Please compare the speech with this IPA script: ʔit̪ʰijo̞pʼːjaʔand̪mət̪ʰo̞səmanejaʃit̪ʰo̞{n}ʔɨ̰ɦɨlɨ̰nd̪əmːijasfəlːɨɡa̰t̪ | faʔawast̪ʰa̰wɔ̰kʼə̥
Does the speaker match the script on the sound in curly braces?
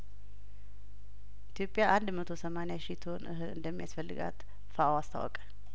yes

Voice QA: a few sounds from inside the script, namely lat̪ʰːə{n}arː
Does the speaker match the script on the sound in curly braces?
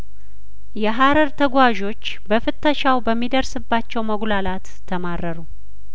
no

